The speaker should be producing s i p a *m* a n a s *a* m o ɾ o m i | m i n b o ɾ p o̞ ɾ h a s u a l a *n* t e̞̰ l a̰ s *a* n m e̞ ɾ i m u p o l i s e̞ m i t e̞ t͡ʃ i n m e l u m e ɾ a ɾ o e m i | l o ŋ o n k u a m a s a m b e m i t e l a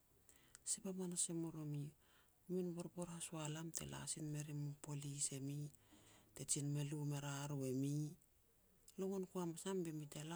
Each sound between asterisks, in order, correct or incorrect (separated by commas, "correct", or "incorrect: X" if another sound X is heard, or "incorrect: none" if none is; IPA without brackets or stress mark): correct, incorrect: e, incorrect: m, incorrect: i